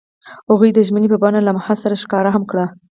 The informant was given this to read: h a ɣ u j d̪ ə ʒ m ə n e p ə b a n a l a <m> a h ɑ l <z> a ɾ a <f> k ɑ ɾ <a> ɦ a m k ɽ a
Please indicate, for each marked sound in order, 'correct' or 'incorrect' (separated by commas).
correct, incorrect, incorrect, correct